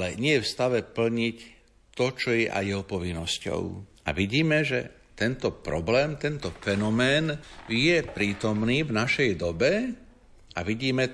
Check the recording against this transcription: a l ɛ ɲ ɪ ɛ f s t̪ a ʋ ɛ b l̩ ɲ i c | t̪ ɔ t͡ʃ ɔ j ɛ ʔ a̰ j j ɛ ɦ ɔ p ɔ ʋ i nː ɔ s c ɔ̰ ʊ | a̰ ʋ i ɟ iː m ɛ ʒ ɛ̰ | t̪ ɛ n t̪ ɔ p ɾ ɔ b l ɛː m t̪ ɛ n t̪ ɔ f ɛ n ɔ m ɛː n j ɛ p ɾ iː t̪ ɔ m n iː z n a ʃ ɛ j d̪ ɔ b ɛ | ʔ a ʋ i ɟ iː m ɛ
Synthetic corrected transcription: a l ɛ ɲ ɪ ɛ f s t̪ a ʋ ɛ p l̩ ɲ i c | t̪ ɔ t͡ʃ ɔ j ɛ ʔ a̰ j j ɛ ɦ ɔ p ɔ ʋ i nː ɔ s c ɔ̰ ʊ | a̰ ʋ i ɟ iː m ɛ ʒ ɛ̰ | t̪ ɛ n t̪ ɔ p ɾ ɔ b l ɛː m t̪ ɛ n t̪ ɔ f ɛ n ɔ m ɛː n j ɛ p ɾ iː t̪ ɔ m n iː v n a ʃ ɛ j d̪ ɔ b ɛ | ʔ a ʋ i ɟ iː m ɛ